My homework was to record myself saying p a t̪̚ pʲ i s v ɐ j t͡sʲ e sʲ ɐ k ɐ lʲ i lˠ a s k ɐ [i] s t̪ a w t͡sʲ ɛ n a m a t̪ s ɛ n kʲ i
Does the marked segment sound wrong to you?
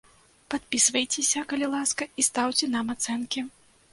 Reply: no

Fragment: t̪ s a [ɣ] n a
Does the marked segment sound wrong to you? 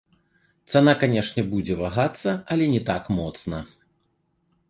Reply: yes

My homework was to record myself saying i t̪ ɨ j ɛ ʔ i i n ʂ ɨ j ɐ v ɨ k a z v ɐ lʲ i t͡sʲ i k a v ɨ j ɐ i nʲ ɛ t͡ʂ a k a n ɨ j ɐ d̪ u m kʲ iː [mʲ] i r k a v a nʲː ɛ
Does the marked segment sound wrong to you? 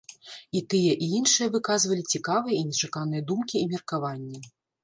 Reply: no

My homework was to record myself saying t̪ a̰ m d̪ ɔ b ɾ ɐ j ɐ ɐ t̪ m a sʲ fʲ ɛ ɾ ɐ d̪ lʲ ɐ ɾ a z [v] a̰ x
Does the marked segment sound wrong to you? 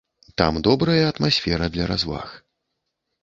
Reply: no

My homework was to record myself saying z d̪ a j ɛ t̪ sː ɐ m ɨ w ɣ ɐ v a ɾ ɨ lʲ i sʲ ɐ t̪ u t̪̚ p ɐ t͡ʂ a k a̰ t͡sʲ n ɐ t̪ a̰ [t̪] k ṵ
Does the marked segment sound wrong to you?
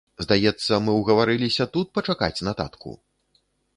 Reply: no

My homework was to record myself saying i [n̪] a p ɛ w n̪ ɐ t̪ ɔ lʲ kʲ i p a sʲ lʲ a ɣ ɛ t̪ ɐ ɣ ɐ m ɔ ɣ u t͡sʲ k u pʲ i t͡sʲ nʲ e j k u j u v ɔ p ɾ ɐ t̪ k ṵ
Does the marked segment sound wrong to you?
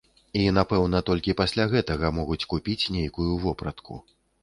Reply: no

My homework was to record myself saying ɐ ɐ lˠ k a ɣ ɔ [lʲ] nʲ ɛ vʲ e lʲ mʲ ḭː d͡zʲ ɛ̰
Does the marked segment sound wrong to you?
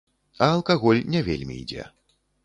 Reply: no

